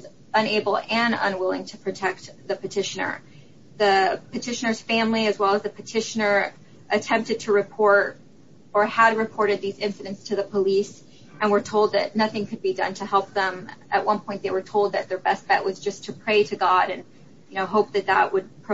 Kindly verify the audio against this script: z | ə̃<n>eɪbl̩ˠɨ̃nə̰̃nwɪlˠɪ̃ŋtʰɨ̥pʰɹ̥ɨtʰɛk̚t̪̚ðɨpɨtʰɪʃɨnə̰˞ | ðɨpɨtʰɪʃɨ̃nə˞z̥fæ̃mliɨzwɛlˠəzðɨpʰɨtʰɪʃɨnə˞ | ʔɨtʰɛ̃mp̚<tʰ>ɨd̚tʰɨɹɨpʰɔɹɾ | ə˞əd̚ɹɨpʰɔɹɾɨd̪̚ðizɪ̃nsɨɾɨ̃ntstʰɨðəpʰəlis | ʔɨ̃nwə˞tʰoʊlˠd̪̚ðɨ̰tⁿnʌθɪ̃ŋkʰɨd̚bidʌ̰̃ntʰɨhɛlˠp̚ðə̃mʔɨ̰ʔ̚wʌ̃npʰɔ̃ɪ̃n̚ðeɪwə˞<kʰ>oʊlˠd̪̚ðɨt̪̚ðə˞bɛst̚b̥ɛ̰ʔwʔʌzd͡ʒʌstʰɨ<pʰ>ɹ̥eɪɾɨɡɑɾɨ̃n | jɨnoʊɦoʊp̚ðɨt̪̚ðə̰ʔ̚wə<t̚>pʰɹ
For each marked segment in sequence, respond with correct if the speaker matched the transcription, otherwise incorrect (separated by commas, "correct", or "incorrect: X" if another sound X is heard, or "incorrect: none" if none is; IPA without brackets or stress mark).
correct, incorrect: t, incorrect: tʰ, correct, incorrect: d̚